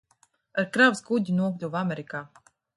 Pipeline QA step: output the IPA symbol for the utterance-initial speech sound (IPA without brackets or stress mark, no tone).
a